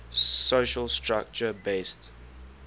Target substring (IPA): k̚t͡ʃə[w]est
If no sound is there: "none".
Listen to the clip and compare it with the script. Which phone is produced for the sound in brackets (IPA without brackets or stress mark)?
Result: b